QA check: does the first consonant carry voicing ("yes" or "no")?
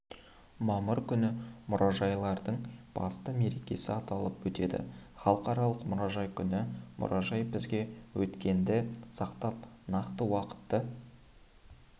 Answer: yes